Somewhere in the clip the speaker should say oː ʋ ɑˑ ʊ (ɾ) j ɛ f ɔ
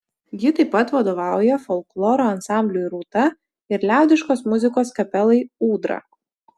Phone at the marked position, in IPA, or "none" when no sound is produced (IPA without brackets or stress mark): none